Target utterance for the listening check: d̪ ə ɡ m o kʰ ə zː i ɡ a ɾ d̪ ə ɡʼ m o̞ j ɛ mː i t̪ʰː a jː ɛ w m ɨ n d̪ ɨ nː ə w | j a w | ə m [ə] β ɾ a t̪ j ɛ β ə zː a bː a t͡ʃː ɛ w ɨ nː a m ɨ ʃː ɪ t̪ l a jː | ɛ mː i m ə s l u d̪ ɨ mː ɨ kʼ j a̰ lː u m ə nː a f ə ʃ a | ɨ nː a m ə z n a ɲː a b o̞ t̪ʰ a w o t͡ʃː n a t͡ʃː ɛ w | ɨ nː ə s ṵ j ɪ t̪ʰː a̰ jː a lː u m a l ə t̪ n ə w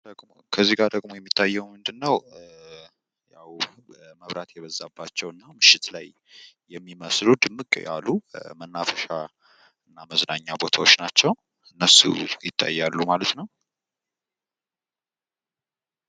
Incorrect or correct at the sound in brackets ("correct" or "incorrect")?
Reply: correct